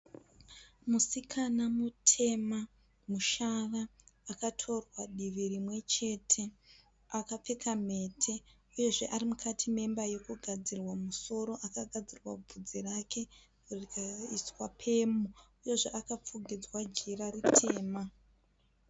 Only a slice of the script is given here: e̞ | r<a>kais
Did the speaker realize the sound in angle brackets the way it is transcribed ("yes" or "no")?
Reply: no